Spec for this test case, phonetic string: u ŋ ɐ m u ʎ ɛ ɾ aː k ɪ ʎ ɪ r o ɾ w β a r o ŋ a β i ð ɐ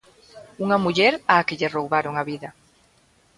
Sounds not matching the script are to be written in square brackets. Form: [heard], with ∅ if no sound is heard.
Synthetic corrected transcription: u ŋ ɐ m u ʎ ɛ ɾ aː k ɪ ʎ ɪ r o [∅] w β a [ɾ] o ŋ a β i ð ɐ